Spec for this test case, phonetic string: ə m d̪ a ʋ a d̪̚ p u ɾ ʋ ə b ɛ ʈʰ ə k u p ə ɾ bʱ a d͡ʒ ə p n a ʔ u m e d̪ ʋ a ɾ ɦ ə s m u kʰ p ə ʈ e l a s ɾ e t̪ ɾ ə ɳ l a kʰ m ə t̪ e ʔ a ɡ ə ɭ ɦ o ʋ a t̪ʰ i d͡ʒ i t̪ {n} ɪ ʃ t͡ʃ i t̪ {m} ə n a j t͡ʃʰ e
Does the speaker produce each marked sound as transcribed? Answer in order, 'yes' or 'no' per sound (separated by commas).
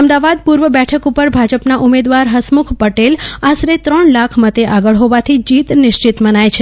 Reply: yes, yes